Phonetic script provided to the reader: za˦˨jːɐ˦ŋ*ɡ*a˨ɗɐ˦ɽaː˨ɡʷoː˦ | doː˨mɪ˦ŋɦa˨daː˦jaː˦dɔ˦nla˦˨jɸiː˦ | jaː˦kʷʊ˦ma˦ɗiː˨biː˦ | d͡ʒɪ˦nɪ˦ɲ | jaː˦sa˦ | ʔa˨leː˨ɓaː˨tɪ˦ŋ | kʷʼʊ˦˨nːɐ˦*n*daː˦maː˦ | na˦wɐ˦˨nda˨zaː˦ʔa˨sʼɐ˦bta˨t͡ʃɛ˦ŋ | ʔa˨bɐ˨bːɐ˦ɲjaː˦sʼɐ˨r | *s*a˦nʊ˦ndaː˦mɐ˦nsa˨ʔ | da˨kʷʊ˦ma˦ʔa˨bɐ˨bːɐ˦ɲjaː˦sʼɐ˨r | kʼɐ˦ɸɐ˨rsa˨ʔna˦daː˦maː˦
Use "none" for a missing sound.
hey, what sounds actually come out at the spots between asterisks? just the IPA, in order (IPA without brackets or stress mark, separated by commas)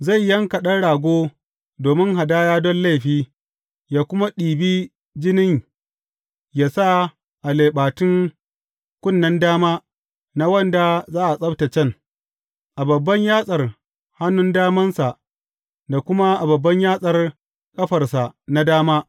k, n, h